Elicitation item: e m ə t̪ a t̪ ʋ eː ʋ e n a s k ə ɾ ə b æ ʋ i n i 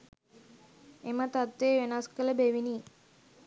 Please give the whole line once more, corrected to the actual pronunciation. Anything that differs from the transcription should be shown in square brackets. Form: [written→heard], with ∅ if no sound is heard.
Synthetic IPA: e m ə t̪ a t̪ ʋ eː ʋ e n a s k ə [ɾ→l] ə b [æ→e] ʋ i n i